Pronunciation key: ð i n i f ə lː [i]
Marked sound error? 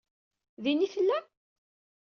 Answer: yes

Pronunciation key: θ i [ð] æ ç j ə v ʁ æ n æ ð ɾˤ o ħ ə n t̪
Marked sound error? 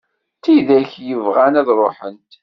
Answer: no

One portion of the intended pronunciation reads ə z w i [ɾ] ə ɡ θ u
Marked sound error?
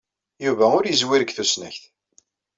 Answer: no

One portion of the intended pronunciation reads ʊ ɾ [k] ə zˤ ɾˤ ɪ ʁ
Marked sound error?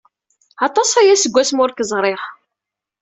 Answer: no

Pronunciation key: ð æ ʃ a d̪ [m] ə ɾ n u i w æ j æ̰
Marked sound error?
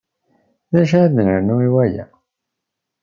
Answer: yes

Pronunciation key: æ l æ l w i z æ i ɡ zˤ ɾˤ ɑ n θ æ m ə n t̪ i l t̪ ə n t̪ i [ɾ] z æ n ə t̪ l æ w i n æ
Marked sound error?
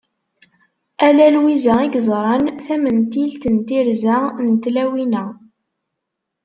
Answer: no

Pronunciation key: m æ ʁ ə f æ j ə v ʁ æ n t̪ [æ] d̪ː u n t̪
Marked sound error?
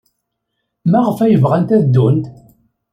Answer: no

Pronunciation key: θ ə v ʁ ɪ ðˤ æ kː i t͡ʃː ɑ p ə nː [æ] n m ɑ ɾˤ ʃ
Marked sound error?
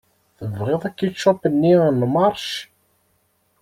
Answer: yes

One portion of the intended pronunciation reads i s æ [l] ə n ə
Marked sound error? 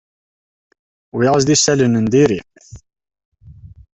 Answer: no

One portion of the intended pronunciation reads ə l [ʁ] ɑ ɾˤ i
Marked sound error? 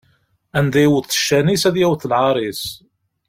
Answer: yes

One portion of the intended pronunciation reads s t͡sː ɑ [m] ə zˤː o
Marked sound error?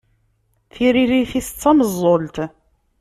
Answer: no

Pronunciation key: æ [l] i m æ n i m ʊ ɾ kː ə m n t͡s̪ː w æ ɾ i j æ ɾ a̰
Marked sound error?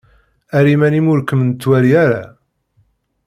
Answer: yes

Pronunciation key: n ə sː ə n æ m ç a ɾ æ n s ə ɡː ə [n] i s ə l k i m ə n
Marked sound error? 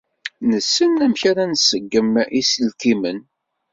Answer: yes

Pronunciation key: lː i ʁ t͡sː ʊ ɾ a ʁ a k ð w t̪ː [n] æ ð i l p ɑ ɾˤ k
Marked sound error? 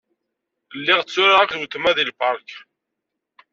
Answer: yes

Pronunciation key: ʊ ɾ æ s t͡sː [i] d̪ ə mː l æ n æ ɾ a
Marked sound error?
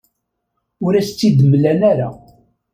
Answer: no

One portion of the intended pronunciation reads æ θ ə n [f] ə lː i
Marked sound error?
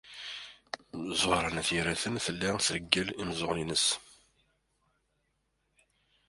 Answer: yes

